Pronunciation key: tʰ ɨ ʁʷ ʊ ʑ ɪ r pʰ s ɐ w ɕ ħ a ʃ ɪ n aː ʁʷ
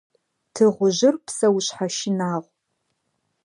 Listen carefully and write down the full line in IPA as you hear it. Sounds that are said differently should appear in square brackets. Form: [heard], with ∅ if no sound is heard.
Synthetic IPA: tʰ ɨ ʁʷ ʊ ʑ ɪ r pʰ s ɐ w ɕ ħ a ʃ ɪ n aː ʁʷ

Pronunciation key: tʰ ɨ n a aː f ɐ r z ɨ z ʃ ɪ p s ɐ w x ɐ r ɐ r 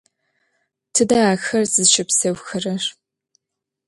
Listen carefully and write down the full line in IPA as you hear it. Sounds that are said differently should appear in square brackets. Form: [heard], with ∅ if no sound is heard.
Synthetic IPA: tʰ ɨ [d] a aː [x] ɐ r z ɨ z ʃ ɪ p s ɐ w x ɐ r ɐ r

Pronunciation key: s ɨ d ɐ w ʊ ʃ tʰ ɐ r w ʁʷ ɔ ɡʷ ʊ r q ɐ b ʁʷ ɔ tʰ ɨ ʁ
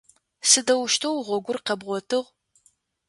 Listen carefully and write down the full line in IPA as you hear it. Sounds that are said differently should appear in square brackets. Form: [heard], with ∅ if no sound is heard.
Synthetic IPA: s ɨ d ɐ w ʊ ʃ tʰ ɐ [∅] w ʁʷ ɔ ɡʷ ʊ r q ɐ b ʁʷ ɔ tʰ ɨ ʁ

